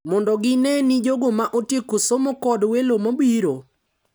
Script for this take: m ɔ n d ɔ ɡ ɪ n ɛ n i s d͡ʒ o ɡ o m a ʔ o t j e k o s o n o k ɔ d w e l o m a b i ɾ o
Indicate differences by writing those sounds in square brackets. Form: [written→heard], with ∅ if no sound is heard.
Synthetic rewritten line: m ɔ n d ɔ ɡ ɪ n ɛ n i [s→∅] d͡ʒ o ɡ o m a ʔ o t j e k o s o [n→m] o k ɔ d w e l o m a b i ɾ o

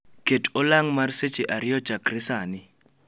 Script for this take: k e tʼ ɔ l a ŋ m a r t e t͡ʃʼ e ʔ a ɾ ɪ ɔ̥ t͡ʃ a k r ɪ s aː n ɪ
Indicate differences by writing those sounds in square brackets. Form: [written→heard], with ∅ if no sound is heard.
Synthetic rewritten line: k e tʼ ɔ l a ŋ m a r [t→s] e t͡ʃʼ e ʔ a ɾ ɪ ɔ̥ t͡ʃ a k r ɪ s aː n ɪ

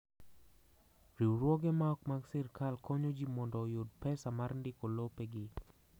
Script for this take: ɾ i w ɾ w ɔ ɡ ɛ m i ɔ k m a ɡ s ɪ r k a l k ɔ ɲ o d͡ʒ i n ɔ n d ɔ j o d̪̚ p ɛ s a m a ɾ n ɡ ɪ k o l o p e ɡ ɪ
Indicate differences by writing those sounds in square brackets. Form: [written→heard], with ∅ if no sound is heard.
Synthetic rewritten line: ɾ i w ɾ w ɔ ɡ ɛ m [i→a] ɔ k m a ɡ s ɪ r k a l k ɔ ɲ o d͡ʒ i [n→m] ɔ n d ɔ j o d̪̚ p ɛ s a m a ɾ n [ɡ→d] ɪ k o l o p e ɡ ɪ

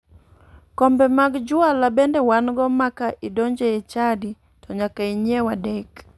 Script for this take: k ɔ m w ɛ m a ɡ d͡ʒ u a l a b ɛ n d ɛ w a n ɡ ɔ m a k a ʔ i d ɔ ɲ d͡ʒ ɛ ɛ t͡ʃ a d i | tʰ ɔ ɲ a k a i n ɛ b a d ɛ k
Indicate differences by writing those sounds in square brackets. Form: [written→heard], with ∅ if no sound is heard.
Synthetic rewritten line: k ɔ m [w→b] ɛ m a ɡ d͡ʒ u a l a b ɛ n d ɛ w a n ɡ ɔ m a k a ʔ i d ɔ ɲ d͡ʒ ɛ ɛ t͡ʃ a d i | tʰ ɔ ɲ a k a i [n→ɲ] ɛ [b→w] a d ɛ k

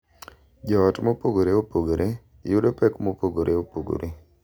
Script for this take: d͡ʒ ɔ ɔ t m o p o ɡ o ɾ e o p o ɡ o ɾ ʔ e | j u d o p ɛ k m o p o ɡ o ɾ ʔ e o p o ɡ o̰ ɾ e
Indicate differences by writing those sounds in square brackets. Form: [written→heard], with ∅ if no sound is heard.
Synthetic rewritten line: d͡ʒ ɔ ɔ t m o p o ɡ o ɾ e o p o ɡ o ɾ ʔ e | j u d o p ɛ k m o p o ɡ o ɾ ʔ e o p o ɡ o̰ ɾ e

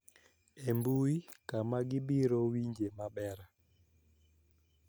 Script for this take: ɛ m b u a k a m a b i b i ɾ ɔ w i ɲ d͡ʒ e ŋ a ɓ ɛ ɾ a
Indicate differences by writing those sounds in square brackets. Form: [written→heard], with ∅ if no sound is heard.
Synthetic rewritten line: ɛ m b u [a→i] k a m a [b→ɡ] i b i ɾ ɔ w i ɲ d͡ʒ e [ŋ→m] a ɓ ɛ ɾ a

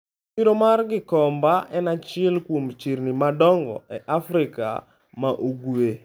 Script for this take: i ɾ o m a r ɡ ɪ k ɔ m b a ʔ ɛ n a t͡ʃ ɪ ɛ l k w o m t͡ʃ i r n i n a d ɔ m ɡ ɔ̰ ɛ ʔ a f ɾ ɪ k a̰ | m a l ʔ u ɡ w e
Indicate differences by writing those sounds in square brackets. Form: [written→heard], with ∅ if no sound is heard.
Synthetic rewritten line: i ɾ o m a r ɡ ɪ k ɔ m b a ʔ ɛ n a t͡ʃ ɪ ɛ l k w o m t͡ʃ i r n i [n→m] a d ɔ [m→ŋ] ɡ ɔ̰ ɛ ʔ a f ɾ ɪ k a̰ | m a [l→∅] ʔ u ɡ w e

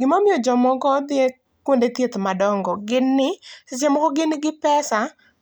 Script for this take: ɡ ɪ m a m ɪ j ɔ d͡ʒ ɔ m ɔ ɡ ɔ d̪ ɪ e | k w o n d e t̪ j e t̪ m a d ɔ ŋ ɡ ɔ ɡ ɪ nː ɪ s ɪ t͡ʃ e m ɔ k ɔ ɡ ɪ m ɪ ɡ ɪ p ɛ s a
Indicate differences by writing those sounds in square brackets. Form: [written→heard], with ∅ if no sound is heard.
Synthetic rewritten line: ɡ ɪ m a m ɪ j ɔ d͡ʒ ɔ m ɔ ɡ ɔ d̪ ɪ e | k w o n d e t̪ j e t̪ m a d ɔ ŋ ɡ ɔ ɡ ɪ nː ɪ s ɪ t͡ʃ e m ɔ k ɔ ɡ ɪ [m→n] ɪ ɡ ɪ p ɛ s a

